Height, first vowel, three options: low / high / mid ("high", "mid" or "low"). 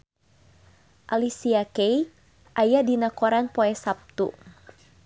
low